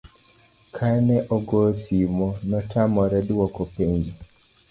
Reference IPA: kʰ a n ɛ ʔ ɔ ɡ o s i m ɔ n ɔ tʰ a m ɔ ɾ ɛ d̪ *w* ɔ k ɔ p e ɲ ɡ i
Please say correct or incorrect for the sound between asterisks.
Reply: correct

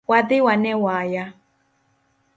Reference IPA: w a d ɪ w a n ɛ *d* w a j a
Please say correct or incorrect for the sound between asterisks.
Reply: incorrect: none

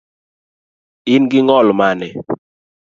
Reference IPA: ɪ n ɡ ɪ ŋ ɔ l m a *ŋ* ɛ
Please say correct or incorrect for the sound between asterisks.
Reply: incorrect: n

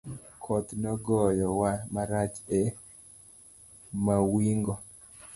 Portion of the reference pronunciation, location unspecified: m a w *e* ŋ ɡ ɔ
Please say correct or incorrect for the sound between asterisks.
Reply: incorrect: i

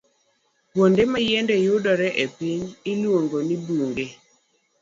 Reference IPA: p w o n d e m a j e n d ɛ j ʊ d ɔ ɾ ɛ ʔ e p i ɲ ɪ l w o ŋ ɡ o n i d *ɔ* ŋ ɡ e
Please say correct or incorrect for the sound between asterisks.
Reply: incorrect: u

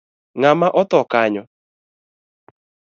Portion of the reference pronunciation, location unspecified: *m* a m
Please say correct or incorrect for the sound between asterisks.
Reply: incorrect: ŋ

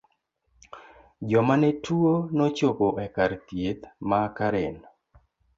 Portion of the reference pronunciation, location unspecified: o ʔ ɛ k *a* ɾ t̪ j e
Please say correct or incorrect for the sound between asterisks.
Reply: correct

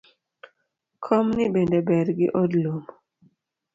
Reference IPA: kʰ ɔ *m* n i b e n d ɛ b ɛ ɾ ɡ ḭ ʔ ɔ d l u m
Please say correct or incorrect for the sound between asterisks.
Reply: correct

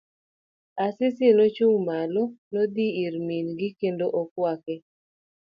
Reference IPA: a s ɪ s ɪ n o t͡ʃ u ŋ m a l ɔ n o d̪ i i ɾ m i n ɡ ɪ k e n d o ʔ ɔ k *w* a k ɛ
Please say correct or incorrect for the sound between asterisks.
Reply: correct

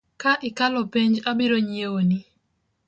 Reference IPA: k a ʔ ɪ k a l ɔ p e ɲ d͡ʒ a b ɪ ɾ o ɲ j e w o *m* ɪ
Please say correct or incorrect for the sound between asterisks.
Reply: incorrect: n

